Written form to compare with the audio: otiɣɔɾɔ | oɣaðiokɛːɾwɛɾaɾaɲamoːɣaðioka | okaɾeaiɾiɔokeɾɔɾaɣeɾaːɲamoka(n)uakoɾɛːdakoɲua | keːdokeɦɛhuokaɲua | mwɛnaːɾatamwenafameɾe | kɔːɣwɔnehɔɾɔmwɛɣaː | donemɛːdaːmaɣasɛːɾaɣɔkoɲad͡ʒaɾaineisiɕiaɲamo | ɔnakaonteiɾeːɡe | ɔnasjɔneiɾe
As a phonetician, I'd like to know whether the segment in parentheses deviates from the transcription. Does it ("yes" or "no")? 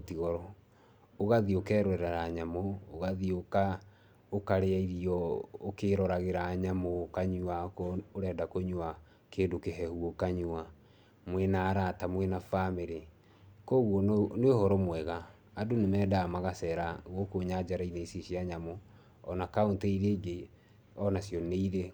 yes